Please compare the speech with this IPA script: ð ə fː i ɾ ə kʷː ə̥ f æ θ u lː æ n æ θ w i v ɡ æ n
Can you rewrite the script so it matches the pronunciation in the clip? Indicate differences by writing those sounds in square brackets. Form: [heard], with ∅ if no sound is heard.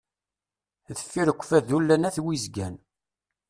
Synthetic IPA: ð ə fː i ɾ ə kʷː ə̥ f æ [ð] u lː æ n æ θ w i [z] ɡ æ n